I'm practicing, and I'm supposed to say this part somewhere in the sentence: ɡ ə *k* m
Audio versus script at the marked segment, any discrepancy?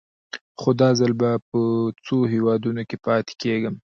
yes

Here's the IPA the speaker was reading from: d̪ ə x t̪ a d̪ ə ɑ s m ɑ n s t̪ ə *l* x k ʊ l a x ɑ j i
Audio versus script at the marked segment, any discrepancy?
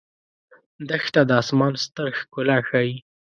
yes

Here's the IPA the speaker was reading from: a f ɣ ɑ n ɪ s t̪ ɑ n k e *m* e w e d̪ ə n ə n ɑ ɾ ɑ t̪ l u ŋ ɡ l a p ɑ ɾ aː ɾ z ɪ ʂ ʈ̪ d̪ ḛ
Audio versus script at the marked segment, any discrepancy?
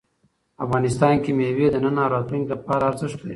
no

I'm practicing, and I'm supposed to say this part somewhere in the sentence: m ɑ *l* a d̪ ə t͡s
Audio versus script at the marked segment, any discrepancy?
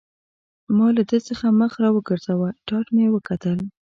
no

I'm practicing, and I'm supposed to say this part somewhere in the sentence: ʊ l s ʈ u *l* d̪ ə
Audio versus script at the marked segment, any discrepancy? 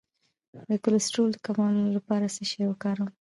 no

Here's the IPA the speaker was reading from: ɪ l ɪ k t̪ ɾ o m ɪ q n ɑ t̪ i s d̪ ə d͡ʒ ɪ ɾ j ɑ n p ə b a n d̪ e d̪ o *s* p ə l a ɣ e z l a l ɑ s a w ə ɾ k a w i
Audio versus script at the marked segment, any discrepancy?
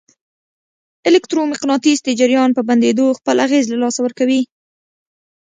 yes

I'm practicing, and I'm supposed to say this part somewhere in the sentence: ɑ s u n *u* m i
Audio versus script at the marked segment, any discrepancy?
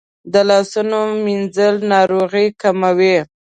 yes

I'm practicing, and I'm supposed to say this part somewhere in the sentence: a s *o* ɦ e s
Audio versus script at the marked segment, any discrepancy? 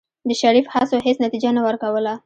no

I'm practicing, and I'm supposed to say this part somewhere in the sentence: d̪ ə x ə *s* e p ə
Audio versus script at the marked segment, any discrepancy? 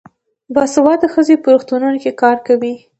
yes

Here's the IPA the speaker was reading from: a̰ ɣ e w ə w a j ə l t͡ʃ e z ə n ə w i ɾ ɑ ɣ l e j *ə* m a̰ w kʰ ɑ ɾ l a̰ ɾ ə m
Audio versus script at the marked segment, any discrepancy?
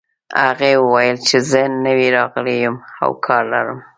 no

